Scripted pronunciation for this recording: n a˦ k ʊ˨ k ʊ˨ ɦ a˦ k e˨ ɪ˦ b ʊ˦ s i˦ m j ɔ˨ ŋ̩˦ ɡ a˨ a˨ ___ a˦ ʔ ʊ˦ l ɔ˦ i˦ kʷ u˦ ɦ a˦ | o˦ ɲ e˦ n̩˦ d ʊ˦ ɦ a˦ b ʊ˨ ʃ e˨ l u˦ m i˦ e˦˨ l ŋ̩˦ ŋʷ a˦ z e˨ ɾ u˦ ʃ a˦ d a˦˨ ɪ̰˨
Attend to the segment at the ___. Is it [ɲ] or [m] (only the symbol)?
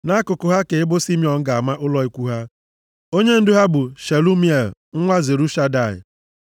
m